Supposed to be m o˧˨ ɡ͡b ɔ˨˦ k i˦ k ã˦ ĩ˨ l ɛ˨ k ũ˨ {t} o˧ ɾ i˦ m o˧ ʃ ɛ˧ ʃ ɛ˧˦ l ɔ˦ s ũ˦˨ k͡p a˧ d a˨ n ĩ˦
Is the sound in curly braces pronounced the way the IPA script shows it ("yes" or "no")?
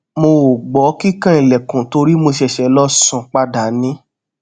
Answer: yes